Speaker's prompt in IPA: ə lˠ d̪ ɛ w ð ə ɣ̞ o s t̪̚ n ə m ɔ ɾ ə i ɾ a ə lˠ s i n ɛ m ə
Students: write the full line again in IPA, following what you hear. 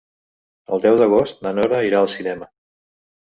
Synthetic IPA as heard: ə lˠ d̪ ɛ w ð ə ɣ̞ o s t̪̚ n ə n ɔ ɾ ə i ɾ a ə lˠ s i n ɛ m ə